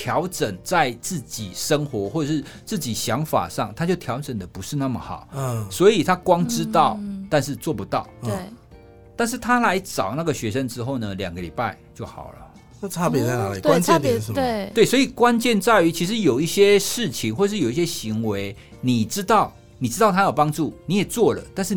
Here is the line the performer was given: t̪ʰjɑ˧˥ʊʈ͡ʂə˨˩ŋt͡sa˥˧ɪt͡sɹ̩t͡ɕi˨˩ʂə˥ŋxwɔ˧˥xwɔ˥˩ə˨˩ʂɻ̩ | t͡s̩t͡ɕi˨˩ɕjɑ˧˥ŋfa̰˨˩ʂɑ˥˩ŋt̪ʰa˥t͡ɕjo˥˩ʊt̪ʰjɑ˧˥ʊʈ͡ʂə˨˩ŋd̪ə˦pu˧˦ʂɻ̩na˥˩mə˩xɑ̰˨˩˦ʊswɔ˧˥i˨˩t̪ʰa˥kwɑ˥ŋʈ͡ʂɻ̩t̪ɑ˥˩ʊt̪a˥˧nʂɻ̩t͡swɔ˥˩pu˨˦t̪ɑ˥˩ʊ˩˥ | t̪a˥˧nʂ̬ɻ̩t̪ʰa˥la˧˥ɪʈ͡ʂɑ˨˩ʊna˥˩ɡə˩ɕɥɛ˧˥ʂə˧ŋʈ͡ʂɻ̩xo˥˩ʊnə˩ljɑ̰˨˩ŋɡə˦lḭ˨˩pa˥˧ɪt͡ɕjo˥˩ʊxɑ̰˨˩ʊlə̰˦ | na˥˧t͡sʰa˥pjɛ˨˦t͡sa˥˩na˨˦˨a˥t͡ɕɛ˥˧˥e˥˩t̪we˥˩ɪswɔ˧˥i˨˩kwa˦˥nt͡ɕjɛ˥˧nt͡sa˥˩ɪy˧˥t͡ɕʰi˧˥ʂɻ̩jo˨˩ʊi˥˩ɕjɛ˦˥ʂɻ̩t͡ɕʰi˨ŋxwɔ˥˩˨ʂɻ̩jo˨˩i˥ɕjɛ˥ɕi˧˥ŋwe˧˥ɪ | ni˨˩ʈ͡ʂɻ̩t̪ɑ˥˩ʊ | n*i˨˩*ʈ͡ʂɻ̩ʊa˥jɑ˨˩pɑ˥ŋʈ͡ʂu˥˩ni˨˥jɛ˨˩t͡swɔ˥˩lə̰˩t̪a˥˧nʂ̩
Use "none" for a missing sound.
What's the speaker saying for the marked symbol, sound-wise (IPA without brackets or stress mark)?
i˨˩